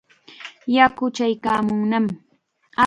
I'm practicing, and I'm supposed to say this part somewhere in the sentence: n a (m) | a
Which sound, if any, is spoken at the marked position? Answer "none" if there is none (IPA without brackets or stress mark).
m